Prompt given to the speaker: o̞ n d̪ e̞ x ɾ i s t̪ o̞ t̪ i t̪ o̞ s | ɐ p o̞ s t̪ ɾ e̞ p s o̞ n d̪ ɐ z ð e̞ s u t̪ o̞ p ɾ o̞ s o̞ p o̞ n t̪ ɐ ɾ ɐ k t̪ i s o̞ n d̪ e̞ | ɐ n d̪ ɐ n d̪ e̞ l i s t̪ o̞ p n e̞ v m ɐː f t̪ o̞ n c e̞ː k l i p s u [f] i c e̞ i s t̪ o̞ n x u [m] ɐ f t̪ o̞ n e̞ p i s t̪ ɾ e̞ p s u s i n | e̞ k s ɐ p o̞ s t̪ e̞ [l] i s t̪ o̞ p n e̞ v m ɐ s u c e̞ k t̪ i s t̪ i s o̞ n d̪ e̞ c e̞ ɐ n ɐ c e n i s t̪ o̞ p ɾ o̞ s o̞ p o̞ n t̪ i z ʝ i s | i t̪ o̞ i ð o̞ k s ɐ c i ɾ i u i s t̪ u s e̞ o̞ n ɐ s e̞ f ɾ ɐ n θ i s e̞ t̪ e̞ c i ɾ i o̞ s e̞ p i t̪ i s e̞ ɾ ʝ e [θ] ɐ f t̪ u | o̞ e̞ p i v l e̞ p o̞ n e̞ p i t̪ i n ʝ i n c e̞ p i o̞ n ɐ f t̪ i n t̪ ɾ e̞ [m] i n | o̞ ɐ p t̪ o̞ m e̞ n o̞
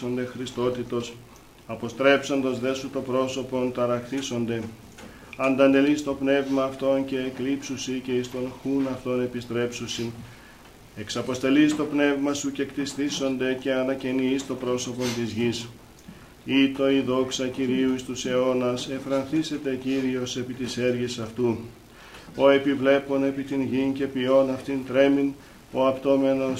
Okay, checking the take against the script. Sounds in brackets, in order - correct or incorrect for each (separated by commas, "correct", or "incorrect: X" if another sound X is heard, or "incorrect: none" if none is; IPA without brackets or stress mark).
incorrect: s, incorrect: n, correct, incorrect: s, correct